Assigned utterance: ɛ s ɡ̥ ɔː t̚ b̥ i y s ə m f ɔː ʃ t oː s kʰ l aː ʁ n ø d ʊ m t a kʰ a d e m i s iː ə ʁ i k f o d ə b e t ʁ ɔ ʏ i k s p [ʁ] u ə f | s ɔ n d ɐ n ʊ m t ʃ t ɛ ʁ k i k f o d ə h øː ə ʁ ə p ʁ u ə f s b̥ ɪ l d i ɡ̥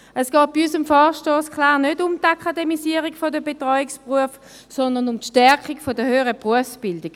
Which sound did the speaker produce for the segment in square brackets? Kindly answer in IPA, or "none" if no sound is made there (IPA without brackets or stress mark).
ʁ